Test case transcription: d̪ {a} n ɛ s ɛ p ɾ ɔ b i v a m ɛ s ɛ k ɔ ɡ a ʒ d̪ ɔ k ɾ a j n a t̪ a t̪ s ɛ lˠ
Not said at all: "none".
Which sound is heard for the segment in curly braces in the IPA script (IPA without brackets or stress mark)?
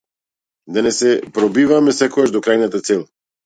a